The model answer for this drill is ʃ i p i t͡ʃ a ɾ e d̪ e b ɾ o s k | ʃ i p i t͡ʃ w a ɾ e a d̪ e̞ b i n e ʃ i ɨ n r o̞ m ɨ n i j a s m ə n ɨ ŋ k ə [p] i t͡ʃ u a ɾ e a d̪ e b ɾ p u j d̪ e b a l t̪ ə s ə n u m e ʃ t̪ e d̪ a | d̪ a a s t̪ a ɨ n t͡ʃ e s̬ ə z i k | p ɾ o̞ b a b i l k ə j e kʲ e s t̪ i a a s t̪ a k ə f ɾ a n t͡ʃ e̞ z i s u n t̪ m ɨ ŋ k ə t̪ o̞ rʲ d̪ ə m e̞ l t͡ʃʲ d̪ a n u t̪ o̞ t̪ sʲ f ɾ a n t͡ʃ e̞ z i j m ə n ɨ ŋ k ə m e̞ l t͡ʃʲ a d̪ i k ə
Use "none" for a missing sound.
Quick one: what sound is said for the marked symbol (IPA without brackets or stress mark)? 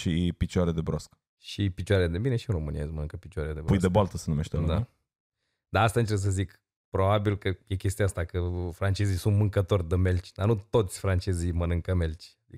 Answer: p